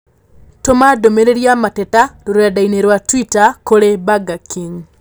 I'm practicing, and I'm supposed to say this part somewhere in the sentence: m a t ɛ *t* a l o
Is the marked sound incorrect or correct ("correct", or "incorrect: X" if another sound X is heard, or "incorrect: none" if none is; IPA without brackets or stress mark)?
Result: correct